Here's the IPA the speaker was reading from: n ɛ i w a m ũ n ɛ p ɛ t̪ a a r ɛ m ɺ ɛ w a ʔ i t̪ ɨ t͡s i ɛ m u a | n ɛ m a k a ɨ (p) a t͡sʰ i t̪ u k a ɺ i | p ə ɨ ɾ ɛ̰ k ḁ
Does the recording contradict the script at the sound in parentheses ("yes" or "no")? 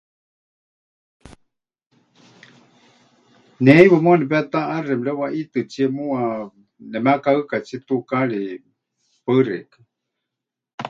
yes